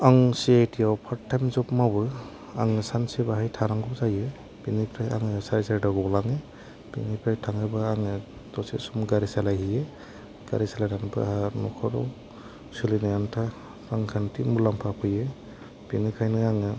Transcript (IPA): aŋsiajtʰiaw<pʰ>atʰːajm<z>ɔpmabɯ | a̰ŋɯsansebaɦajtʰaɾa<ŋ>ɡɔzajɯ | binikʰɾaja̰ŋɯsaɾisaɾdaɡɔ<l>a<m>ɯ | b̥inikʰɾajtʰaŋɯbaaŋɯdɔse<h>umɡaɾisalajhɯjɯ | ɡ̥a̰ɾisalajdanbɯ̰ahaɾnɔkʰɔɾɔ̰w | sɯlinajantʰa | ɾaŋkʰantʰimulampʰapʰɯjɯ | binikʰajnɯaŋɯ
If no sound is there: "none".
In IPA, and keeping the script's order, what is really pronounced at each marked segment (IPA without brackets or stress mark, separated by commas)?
pʰ, z, ŋ, l, ŋ, s